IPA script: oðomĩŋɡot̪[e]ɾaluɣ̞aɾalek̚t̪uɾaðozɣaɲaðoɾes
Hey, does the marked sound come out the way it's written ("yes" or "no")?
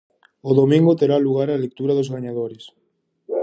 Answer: yes